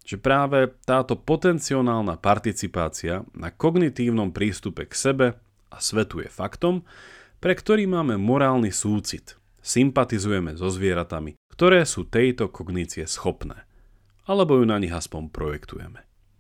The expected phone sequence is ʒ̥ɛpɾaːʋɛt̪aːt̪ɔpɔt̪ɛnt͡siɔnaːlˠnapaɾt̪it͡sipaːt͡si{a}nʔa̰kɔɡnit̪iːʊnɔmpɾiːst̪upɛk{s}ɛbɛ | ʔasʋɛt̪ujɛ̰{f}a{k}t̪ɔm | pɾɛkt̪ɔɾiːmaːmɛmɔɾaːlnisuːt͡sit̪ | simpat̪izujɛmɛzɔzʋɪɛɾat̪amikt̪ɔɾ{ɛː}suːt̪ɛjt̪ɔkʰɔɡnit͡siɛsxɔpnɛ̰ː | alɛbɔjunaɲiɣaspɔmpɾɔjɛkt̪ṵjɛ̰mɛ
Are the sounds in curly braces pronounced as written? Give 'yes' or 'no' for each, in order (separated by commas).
yes, yes, yes, yes, yes